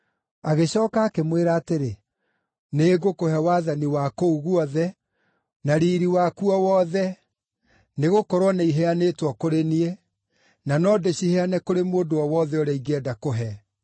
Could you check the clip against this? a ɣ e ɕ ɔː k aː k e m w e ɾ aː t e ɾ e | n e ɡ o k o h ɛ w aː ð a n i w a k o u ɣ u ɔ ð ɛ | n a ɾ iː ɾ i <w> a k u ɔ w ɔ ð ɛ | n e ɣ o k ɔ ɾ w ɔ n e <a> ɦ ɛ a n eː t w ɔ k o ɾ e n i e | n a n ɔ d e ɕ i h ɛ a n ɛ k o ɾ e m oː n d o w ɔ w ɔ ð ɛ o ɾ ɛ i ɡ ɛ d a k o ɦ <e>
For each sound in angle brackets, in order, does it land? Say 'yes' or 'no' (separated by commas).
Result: yes, no, no